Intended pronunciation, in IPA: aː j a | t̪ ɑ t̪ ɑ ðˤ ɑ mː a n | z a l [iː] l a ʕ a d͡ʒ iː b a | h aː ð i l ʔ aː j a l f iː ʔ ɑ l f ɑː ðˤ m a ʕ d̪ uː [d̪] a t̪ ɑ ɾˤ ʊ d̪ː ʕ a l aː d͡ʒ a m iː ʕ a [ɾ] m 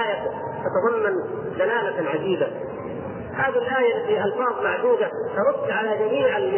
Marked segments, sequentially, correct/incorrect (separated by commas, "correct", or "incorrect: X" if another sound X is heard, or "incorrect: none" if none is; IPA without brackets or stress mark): incorrect: aː, correct, incorrect: l